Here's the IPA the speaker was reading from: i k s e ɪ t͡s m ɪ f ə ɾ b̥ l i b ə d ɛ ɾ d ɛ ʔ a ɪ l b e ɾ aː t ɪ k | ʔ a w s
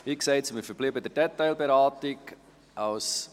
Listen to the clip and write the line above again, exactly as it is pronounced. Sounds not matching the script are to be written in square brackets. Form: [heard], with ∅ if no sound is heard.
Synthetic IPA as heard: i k s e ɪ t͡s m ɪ f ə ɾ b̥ l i b ə d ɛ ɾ d ɛ [t] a ɪ l b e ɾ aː t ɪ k | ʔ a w s